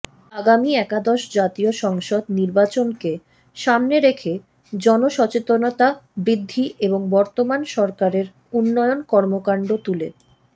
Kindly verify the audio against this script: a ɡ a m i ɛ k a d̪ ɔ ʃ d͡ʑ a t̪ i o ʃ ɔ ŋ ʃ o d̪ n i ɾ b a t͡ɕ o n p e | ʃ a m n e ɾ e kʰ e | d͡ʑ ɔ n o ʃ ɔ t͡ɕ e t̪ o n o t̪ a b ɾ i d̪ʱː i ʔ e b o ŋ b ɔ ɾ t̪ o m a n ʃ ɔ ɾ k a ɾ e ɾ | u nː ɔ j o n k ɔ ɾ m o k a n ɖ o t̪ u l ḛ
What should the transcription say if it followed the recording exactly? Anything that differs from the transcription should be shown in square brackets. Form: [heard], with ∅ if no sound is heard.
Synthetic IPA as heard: a ɡ a m i ɛ k a d̪ ɔ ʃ d͡ʑ a t̪ i o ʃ ɔ ŋ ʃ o d̪ n i ɾ b a t͡ɕ o n [k] e | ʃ a m n e ɾ e kʰ e | d͡ʑ ɔ n o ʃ ɔ t͡ɕ e t̪ o n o t̪ a b ɾ i d̪ʱː i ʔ e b o ŋ b ɔ ɾ t̪ o m a n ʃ ɔ ɾ k a ɾ e ɾ | u nː ɔ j o n k ɔ ɾ m o k a [ɳ] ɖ o t̪ u l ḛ

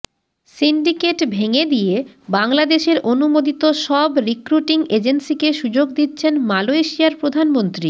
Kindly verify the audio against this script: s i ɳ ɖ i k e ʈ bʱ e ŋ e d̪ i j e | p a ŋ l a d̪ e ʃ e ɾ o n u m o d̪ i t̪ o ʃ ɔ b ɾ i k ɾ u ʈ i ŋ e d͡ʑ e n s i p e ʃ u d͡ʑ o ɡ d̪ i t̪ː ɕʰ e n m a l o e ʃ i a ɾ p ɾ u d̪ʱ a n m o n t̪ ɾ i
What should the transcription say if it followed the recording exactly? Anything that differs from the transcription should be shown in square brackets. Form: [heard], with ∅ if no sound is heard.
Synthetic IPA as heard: s i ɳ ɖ i k e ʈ bʱ e ŋ e d̪ i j e | [b] a ŋ l a d̪ e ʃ e ɾ o n u m o d̪ i t̪ o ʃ ɔ b ɾ i k ɾ u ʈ i ŋ e d͡ʑ e n s i [k] e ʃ u d͡ʑ o ɡ d̪ i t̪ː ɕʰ e n m a l o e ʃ i a ɾ p ɾ [o] d̪ʱ a n m o n t̪ ɾ i

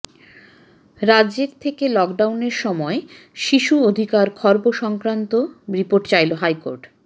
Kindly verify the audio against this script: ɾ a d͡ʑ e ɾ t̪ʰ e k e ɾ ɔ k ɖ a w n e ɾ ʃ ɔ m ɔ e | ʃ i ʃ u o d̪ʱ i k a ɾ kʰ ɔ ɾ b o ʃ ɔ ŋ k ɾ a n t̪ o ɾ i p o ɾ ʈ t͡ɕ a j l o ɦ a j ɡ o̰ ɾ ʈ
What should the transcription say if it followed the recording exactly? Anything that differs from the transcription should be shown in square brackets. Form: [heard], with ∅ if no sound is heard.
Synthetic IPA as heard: ɾ a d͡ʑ e ɾ t̪ʰ e k e [l] ɔ k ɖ a w n e ɾ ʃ ɔ m ɔ e | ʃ i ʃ u o d̪ʱ i k a ɾ kʰ ɔ ɾ b o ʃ ɔ ŋ k ɾ a n t̪ o ɾ i p o ɾ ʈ t͡ɕ a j l o ɦ a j [k] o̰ ɾ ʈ

